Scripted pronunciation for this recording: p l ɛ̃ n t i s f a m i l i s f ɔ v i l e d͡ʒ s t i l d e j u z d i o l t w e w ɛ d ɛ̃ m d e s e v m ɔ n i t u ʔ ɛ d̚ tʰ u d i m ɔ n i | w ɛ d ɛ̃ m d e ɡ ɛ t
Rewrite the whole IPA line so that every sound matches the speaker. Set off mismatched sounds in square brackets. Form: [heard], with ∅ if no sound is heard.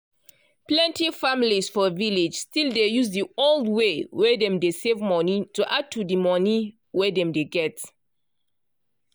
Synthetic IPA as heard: p l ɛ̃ n t i [∅] f a m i l i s f ɔ v i l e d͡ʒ s t i l d e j u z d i o l [d] w e w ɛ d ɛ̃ m d e s e v m ɔ n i t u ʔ [a] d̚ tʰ u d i m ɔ n i | w ɛ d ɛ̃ m d e ɡ ɛ t